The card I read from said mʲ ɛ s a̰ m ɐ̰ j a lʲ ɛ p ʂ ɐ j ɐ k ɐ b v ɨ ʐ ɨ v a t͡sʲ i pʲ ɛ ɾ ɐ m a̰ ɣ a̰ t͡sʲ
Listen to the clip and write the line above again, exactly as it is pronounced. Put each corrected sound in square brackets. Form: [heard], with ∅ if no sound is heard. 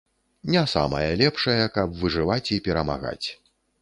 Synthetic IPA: [nʲ] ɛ s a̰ m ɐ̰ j [ɐ] lʲ ɛ p ʂ ɐ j ɐ k ɐ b v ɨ ʐ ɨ v a t͡sʲ i pʲ ɛ ɾ ɐ m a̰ ɣ a̰ t͡sʲ